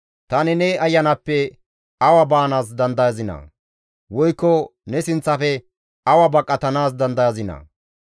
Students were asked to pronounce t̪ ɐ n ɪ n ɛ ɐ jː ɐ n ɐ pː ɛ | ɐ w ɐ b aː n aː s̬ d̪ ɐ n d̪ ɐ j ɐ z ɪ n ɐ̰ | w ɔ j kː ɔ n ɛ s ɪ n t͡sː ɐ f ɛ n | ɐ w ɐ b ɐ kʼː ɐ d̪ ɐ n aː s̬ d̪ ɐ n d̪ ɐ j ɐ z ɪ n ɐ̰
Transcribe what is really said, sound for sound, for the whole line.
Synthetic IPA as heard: t̪ ɐ n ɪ n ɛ ɐ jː ɐ n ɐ pː ɛ | ɐ w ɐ b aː n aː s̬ d̪ ɐ n d̪ ɐ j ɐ z ɪ n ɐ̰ | w ɔ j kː ɔ n ɛ s ɪ n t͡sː ɐ f ɛ | ɐ w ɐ b ɐ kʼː ɐ t̪ ɐ n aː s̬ d̪ ɐ n d̪ ɐ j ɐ z ɪ n ɐ̰

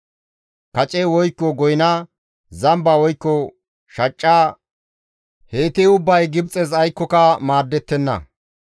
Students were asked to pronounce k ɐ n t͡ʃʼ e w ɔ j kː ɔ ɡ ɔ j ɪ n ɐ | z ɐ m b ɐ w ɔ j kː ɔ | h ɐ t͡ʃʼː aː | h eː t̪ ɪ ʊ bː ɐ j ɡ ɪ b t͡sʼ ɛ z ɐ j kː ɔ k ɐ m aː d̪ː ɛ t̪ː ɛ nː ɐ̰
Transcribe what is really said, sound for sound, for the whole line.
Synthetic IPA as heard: k ɐ t͡ʃʼ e w ɔ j kː ɔ ɡ ɔ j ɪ n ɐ | z ɐ m b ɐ w ɔ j kː ɔ | ʃ ɐ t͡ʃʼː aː | h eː t̪ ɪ ʊ bː ɐ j ɡ ɪ b t͡sʼ ɛ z ɐ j kː ɔ k ɐ m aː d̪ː ɛ t̪ː ɛ nː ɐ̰

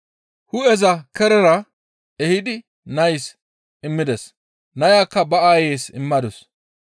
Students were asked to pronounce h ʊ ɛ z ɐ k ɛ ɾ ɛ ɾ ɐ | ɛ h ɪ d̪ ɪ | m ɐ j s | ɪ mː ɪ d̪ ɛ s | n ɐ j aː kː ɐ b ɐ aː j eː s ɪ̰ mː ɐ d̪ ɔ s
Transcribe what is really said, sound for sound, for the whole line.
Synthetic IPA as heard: h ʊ ɛ z ɐ k ɛ ɾ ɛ ɾ ɐ | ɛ h ɪ d̪ ɪ | n ɐ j s | ɪ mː ɪ d̪ ɛ s | n ɐ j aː kː ɐ b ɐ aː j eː s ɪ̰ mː ɐ d̪ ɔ s

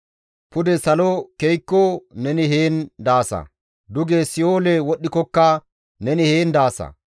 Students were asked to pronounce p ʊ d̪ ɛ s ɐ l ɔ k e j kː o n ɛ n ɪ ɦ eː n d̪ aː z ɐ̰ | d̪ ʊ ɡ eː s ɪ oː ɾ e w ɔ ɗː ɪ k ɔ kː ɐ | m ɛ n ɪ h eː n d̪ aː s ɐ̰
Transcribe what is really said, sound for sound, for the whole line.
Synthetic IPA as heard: p ʊ d̪ ɛ s ɐ l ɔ k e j kː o n ɛ n ɪ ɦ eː n d̪ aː s ɐ̰ | d̪ ʊ ɡ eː s ɪ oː l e w ɔ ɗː ɪ k ɔ kː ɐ | n ɛ n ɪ h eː n d̪ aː s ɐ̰

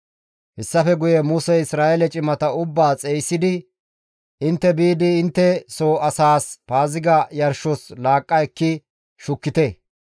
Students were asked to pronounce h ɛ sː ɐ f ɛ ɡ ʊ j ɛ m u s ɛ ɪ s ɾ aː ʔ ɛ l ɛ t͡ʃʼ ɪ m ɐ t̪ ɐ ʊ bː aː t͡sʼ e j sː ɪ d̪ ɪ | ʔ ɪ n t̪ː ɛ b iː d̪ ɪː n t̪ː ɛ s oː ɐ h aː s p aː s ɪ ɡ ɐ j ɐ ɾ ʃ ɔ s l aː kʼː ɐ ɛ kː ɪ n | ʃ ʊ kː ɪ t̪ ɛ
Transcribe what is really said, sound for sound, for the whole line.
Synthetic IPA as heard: h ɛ sː ɐ f ɛ ɡ ʊ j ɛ m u s ɛ ɪ s ɾ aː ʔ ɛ l ɛ t͡ʃʼ ɪ m ɐ t̪ ɐ ʊ bː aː t͡sʼ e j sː ɪ d̪ ɪ | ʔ ɪ n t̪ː ɛ b iː d̪ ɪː n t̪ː ɛ s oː ɐ s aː s p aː z ɪ ɡ ɐ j ɐ ɾ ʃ ɔ s l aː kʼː ɐ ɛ kː ɪ | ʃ ʊ kː ɪ t̪ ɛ

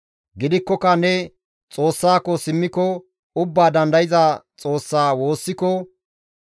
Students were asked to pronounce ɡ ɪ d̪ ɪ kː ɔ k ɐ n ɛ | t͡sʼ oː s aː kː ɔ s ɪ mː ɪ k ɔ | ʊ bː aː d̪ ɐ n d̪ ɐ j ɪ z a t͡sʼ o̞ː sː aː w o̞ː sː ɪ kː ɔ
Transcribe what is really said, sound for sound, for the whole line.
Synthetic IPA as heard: ɡ ɪ d̪ ɪ kː ɔ k ɐ n ɛ | t͡sʼ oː sː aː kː ɔ s ɪ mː ɪ k ɔ | ʊ bː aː d̪ ɐ n d̪ ɐ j ɪ z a t͡sʼ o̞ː sː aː w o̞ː sː ɪ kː ɔ

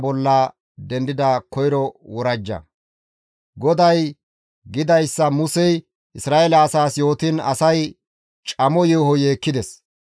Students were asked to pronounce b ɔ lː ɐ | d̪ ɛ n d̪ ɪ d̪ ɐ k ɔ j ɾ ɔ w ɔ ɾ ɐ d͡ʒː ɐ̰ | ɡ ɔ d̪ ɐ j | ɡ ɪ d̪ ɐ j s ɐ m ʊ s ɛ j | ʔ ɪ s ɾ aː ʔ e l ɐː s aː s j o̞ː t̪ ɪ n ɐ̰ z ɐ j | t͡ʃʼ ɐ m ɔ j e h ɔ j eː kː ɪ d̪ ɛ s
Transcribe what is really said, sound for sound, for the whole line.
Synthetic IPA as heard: b ɔ lː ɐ | d̪ ɛ n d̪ ɪ d̪ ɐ k ɔ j ɾ ɔ w ɔ ɾ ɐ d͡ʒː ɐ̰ | ɡ ɔ d̪ ɐ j | ɡ ɪ d̪ ɐ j sː ɐ m ʊ s ɛ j | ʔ ɪ s ɾ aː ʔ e l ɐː s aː s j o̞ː t̪ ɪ n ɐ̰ s ɐ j | t͡ʃʼ ɐ m ɔ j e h ɔ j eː kː ɪ d̪ ɛ s

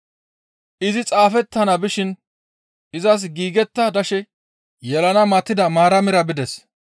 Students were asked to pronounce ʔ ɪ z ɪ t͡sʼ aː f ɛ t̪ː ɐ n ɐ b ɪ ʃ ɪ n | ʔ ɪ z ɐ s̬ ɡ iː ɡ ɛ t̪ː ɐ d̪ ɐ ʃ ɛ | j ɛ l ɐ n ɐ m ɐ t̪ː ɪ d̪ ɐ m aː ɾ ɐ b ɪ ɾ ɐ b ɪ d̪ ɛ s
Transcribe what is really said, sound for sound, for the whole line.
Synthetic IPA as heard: ʔ ɪ z ɪ t͡sʼ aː f ɛ t̪ː ɐ n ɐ b ɪ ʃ ɪ n | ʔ ɪ z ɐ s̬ ɡ iː ɡ ɛ t̪ː ɐ d̪ ɐ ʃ ɛ | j ɛ l ɐ n ɐ m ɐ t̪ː ɪ d̪ ɐ m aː ɾ ɐ m ɪ ɾ ɐ b ɪ d̪ ɛ s

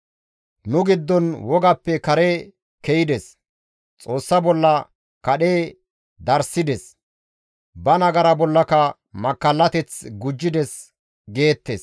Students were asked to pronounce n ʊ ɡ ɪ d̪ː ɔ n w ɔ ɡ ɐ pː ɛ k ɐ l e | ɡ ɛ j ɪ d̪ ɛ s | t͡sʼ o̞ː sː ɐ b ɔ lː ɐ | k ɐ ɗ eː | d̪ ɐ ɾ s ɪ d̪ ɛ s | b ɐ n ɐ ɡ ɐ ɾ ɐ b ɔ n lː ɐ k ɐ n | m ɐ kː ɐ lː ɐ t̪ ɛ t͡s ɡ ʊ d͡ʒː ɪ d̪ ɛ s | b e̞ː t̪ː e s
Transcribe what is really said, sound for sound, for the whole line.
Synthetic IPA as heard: n ʊ ɡ ɪ d̪ː ɔ n w ɔ ɡ ɐ pː ɛ k ɐ ɾ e | k ɛ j ɪ d̪ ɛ s | t͡sʼ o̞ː sː ɐ b ɔ lː ɐ | k ɐ ɗ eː | d̪ ɐ ɾ s ɪ d̪ ɛ s | b ɐ n ɐ ɡ ɐ ɾ ɐ b ɔ lː ɐ k ɐ | m ɐ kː ɐ lː ɐ t̪ ɛ t͡s ɡ ʊ d͡ʒː ɪ d̪ ɛ s | ɡ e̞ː t̪ː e s

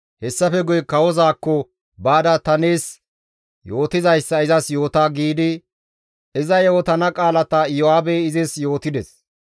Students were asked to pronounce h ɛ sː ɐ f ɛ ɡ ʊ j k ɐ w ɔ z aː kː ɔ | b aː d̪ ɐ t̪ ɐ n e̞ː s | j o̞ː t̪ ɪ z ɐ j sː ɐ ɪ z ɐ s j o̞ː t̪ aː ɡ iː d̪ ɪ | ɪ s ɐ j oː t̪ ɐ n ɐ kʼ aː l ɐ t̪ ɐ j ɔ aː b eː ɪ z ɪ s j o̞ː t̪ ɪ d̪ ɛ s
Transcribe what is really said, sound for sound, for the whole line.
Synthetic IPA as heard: h ɛ sː ɐ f ɛ ɡ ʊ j k ɐ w ɔ z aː kː ɔ | b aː d̪ ɐ t̪ ɐ n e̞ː s | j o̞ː t̪ ɪ z ɐ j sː ɐ ɪ z ɐ s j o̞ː t̪ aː ɡ iː d̪ ɪ | ɪ z ɐ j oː t̪ ɐ n ɐ kʼ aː l ɐ t̪ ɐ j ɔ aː b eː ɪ z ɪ s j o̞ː t̪ ɪ d̪ ɛ s

